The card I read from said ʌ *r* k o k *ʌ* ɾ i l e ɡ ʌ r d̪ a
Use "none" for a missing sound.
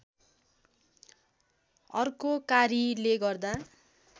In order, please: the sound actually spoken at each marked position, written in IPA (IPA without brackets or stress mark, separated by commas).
r, a